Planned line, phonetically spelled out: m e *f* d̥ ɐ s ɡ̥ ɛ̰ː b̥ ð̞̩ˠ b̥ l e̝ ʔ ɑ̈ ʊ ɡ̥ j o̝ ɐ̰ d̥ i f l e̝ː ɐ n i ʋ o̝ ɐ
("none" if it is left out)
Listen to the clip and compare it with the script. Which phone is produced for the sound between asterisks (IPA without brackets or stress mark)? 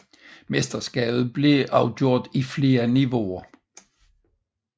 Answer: s